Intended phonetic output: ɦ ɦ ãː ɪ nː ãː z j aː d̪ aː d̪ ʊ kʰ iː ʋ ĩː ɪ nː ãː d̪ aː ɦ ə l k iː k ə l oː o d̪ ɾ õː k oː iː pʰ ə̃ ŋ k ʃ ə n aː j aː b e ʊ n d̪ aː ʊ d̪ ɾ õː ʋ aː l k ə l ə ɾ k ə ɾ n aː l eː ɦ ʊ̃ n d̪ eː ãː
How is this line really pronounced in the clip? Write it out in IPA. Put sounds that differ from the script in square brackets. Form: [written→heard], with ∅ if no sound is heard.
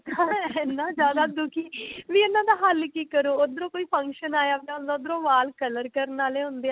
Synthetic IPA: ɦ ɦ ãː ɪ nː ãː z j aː d̪ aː d̪ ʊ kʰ iː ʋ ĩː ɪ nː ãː d̪ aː ɦ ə l k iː k ə [l→ɾ] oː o d̪ ɾ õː k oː iː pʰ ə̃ ŋ k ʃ ə n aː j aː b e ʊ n d̪ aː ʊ d̪ ɾ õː ʋ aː l k ə l ə ɾ k ə ɾ n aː l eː ɦ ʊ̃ n d̪ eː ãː